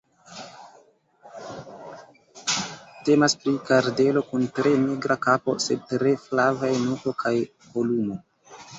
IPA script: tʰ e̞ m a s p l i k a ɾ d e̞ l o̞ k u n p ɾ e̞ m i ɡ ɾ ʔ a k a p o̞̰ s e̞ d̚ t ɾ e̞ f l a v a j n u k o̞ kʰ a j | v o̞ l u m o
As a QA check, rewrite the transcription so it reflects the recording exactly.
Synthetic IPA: t e̞ m a s p ɾ i k a ɾ d e̞ l o̞ k u n t ɾ e̞ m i ɡ ɾ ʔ a k a p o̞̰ s e̞ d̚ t ɾ e̞ f l a v a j n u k o̞ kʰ a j | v o̞ l u m o